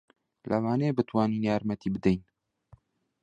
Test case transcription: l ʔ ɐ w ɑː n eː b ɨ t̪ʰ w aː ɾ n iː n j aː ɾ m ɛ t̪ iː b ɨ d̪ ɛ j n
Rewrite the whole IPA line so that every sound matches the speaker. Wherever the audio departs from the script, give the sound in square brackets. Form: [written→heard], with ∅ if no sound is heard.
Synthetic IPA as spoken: l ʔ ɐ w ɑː n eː b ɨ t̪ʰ w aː [ɾ→∅] n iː n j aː ɾ m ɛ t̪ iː b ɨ d̪ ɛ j n